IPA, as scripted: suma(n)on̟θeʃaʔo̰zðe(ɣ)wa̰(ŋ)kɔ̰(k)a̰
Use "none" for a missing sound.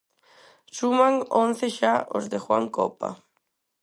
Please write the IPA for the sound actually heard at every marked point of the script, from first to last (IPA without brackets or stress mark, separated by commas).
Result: ŋ, x, ŋ, p